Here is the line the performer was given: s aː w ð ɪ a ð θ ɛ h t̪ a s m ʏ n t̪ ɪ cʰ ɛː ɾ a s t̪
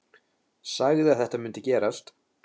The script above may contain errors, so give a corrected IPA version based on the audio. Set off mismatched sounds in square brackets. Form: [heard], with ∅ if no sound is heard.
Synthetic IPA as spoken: s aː [ɣ] ð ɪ a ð θ ɛ h t̪ a [∅] m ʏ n t̪ ɪ [c] ɛː ɾ a s t̪